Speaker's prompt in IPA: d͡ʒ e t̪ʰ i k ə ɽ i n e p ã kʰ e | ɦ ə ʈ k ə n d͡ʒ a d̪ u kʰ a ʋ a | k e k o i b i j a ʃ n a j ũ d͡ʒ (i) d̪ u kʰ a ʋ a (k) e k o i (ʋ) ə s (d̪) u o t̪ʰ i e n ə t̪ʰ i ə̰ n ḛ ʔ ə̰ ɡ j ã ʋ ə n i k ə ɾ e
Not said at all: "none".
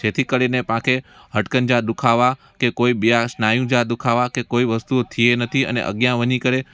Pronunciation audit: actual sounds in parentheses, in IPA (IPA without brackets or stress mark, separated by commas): a, k, ʋ, t̪